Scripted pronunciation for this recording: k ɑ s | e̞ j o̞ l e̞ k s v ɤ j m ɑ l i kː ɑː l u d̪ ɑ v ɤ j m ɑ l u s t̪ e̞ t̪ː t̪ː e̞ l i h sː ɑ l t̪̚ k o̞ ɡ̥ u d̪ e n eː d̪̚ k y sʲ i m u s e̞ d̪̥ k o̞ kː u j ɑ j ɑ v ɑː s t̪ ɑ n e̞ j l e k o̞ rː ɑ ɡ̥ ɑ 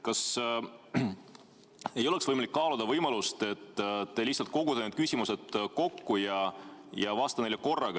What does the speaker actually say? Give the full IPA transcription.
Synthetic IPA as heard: k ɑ s | e̞ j o̞ l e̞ k s v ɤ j m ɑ l i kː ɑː l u d̪ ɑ v ɤ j m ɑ l u s t̪ e̞ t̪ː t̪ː e̞ l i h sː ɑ l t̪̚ k o̞ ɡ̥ u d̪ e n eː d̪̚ k y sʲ i m u s e̞ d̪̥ k o̞ kː u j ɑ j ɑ v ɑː s t̪ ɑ n e̞ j l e k o̞ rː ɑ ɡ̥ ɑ